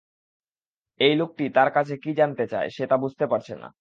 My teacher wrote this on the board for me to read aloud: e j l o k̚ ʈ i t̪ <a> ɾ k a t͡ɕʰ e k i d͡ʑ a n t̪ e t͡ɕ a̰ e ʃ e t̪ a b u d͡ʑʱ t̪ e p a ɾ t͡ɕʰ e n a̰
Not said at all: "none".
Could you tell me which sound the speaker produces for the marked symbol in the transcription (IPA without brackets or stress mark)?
a